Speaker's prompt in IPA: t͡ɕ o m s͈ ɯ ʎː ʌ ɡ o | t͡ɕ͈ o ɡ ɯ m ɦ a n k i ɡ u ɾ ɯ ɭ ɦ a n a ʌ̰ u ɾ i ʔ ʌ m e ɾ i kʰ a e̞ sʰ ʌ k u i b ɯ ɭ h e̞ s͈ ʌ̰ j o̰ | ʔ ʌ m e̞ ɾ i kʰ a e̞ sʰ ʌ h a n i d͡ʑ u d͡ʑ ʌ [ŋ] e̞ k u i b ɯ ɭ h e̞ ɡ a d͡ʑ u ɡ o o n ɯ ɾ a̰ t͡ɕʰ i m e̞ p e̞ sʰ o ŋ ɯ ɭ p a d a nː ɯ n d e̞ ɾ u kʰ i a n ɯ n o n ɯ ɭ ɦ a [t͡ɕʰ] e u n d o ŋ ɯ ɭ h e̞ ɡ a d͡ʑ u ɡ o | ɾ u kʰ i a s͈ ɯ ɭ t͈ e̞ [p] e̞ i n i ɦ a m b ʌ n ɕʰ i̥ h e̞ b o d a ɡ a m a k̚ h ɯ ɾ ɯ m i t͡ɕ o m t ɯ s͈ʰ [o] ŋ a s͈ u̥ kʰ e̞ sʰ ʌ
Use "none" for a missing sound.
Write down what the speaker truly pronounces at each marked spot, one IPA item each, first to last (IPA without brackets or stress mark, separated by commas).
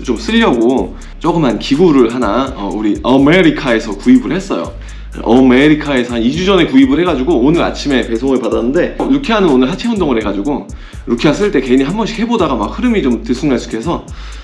n, t͡ɕʰ, k, u